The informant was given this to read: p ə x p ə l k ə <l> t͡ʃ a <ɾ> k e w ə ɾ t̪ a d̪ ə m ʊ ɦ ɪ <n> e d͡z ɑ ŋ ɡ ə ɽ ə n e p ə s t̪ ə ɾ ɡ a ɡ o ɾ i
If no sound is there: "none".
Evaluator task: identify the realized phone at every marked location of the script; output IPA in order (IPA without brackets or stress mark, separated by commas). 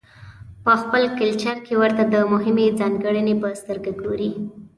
l, ɾ, m